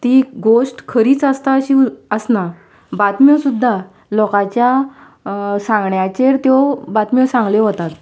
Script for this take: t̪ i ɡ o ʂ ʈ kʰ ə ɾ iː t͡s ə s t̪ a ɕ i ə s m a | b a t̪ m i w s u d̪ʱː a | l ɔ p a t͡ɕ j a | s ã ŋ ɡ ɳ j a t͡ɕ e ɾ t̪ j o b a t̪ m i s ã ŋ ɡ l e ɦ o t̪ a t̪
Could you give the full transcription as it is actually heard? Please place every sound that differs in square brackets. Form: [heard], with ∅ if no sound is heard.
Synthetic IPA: t̪ i ɡ o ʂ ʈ kʰ ə ɾ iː t͡s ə s t̪ a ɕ i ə s [n] a | b a t̪ m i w s u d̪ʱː a | l ɔ [k] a t͡ɕ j a | s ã ŋ ɡ ɳ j a t͡ɕ e ɾ t̪ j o b a t̪ m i s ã ŋ ɡ l e ɦ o t̪ a t̪

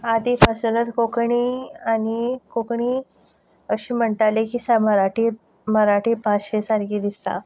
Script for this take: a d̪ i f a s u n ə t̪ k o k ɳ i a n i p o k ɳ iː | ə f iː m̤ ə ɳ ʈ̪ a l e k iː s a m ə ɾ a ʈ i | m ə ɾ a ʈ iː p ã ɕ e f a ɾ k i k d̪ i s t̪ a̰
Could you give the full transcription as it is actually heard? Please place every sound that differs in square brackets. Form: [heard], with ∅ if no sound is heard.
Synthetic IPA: a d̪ i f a s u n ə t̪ k o k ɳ i a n i [k] o k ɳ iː | ə [ɕ] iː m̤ ə ɳ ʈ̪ a l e k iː s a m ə ɾ a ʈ i | m ə ɾ a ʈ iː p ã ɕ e [s] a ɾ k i [∅] d̪ i s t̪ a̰

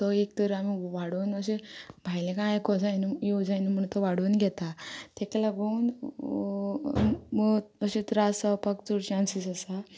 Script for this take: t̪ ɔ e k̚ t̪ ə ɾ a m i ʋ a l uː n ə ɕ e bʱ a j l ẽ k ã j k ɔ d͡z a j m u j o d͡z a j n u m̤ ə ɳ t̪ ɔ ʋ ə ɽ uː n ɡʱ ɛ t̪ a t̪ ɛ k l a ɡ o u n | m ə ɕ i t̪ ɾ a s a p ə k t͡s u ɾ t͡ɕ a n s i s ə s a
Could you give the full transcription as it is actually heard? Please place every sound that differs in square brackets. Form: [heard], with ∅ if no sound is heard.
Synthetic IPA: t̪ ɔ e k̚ t̪ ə ɾ a m i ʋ a [ɽ] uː n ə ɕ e bʱ a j l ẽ k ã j k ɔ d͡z a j [n] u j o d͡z a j n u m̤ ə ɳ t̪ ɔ ʋ [a] ɽ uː n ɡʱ ɛ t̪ a t̪ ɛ k l a ɡ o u n | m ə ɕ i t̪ ɾ a s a p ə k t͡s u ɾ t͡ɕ a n s i s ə s a

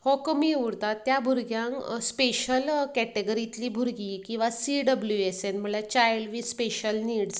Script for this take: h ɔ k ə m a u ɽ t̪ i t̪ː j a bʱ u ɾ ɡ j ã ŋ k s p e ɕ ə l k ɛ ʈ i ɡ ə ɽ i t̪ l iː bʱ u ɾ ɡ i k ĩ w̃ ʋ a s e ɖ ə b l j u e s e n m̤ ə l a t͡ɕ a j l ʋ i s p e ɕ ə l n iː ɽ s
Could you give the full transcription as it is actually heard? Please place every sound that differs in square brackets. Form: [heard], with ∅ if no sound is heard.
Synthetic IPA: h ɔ k ə m [i] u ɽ t̪ [a] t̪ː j a bʱ u ɾ ɡ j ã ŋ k s p e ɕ ə l k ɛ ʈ [e] ɡ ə [ɾ] i t̪ l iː bʱ u ɾ ɡ i k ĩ w̃ ʋ a s [i] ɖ ə b l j u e s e n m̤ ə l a t͡ɕ a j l ʋ i s p e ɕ ə l n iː ɽ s

